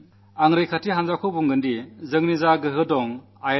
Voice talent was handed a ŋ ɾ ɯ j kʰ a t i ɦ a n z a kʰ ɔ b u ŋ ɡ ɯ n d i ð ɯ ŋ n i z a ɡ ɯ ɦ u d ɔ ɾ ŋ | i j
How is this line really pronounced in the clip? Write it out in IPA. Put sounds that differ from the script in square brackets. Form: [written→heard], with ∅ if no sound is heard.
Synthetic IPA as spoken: a ŋ ɾ ɯ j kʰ a t i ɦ a n z a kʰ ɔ b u ŋ ɡ ɯ n d i [ð→z] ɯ ŋ n i z a ɡ ɯ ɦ [u→ɯ] d ɔ [ɾ→∅] ŋ | [i→a] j